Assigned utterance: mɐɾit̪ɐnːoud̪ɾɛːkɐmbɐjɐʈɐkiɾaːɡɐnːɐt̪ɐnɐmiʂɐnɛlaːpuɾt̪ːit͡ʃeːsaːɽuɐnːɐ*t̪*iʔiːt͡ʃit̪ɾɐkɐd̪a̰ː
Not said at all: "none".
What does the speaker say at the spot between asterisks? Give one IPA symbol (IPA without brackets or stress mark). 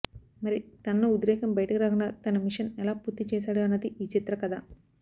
d̪